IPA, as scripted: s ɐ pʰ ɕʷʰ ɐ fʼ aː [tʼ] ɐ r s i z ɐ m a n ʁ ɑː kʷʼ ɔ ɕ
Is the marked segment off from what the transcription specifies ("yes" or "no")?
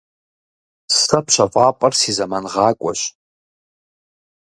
yes